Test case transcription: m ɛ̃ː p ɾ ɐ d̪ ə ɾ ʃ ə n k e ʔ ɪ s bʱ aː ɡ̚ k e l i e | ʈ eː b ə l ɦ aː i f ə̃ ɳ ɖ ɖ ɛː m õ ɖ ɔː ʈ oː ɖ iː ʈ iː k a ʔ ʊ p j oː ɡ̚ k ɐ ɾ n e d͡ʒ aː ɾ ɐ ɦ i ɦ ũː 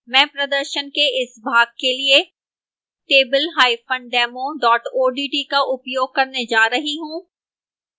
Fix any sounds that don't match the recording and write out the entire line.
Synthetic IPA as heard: m ɛ̃ː p ɾ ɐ d̪ ə ɾ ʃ ə n k e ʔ ɪ s bʱ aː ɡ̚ k e l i e | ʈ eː b ə l ɦ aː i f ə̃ ɳ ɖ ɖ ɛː m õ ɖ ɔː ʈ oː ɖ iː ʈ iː k a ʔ ʊ p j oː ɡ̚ k ɐ ɾ n e d͡ʒ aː ɾ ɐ ɦ i ɦ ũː